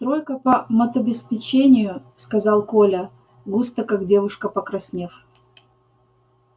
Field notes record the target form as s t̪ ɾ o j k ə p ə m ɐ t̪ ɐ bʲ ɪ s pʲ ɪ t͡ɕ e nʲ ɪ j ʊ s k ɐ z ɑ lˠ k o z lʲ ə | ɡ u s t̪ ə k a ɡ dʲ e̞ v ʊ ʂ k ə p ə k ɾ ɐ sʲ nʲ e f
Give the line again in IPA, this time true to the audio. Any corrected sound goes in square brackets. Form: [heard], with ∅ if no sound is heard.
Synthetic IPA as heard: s t̪ ɾ o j k ə p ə m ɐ t̪ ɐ bʲ ɪ s pʲ ɪ t͡ɕ e nʲ ɪ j ʊ s k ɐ z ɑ lˠ k o [∅] lʲ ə | ɡ u s t̪ ə k a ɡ dʲ e̞ v ʊ ʂ k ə p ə k ɾ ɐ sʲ nʲ e f